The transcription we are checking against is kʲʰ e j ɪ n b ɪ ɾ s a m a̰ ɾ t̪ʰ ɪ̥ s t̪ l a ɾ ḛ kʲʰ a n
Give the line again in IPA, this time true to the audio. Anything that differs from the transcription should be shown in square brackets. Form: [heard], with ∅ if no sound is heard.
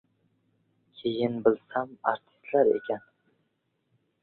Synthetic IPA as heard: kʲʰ e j ɪ n b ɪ [l] s a m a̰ ɾ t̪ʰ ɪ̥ s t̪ l a ɾ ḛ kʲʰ a n